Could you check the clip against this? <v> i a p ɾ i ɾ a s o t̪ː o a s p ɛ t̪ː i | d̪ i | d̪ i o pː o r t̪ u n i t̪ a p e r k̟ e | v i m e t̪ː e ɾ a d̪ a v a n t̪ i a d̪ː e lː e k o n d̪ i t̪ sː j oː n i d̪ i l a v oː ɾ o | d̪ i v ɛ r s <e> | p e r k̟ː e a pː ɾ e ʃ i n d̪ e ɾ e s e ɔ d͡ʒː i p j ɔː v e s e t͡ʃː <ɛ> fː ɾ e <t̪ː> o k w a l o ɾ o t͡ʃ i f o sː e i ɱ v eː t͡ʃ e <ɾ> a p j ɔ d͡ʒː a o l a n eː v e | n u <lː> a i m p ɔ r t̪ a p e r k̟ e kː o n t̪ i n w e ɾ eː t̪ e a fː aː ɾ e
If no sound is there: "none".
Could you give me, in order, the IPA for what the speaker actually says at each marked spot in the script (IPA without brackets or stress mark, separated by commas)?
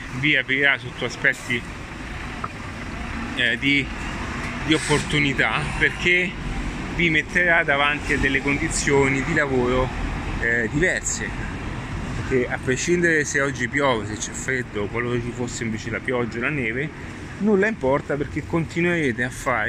v, e, ɛ, d̪ː, l, lː